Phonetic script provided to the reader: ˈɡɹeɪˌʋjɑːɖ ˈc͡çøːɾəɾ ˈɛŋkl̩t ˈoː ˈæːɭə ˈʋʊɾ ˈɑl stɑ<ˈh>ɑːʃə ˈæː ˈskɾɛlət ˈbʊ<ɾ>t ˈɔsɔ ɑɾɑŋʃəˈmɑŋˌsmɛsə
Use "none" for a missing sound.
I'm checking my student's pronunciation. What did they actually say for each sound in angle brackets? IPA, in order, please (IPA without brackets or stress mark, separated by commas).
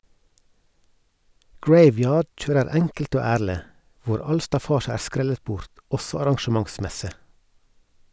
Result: f, ɾ